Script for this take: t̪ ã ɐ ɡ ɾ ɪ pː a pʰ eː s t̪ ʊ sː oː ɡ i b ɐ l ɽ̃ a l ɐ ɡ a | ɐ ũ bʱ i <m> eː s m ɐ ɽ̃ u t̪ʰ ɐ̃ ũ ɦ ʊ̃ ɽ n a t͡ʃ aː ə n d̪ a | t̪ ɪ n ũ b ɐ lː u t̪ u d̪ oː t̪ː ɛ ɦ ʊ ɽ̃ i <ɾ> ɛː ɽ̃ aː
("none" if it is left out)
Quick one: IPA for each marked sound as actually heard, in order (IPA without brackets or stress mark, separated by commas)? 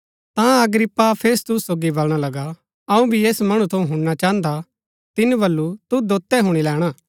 none, l